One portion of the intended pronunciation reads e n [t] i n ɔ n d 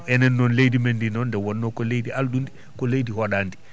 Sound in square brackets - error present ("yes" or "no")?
yes